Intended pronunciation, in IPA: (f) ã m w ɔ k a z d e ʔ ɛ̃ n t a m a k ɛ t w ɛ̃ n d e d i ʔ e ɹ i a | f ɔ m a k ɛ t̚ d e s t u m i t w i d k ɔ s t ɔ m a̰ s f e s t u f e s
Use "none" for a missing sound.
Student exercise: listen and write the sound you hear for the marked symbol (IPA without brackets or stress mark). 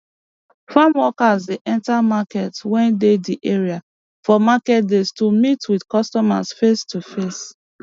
f